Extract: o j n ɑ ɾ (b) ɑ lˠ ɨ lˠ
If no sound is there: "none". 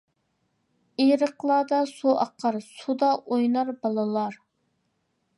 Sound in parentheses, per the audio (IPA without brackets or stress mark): b